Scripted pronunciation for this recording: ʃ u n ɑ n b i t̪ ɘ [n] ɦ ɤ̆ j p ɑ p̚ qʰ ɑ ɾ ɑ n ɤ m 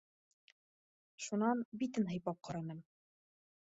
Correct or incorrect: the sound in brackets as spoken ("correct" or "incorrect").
correct